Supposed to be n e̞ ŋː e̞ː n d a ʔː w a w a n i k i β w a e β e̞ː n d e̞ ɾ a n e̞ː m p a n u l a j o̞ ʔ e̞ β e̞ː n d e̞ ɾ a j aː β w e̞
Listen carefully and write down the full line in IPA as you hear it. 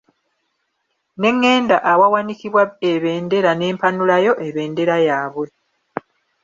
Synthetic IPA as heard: n e̞ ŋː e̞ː n d a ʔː w a w a n i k i β w a e β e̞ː n d e̞ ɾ a n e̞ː m p a n u l a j o̞ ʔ e̞ β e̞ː n d e̞ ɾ a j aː β w e̞